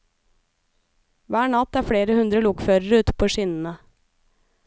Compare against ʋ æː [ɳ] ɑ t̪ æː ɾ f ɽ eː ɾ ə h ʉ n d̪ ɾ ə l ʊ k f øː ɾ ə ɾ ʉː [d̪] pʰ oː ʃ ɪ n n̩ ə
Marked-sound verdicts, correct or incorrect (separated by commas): correct, incorrect